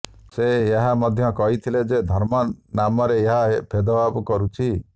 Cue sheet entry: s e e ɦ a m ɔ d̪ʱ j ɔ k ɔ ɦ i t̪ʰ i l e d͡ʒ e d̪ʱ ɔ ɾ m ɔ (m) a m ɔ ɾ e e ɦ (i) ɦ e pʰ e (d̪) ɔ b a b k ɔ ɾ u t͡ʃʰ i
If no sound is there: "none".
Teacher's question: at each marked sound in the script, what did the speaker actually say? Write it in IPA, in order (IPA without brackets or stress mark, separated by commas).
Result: n, a, d̪